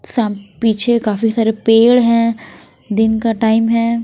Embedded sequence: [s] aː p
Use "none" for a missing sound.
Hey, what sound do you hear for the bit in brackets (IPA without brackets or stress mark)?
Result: s